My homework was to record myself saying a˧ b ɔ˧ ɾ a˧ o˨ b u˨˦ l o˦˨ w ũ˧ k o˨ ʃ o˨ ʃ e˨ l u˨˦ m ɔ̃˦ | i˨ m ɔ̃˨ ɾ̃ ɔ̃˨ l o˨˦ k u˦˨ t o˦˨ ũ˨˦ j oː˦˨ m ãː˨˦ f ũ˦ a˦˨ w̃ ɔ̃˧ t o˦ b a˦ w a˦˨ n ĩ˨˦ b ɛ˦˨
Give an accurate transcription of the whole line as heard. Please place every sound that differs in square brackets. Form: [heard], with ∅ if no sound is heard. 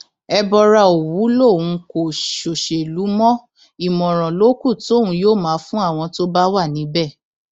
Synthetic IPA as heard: [ɛ˧] b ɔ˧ ɾ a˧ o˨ [w] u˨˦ l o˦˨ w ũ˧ k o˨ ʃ o˨ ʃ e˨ l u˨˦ m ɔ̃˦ | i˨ m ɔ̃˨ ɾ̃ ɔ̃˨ l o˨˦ k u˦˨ t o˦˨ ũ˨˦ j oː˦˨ m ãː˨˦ f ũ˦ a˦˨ w̃ ɔ̃˧ t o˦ b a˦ w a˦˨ n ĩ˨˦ b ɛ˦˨